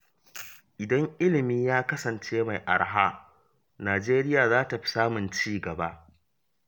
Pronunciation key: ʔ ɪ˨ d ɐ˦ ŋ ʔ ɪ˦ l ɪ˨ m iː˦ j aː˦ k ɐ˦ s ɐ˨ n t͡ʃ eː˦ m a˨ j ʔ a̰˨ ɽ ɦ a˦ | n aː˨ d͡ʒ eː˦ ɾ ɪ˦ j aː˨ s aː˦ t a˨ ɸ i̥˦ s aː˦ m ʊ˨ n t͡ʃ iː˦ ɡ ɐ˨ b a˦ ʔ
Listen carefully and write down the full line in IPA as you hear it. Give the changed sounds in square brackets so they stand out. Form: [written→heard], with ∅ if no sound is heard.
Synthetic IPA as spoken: ʔ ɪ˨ d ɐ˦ ŋ ʔ ɪ˦ l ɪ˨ m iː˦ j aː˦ k ɐ˦ s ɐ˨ n t͡ʃ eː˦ m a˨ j ʔ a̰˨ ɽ ɦ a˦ | n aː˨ d͡ʒ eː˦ ɾ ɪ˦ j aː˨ [s→z] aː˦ t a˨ ɸ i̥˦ s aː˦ m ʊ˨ n t͡ʃ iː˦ ɡ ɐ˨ b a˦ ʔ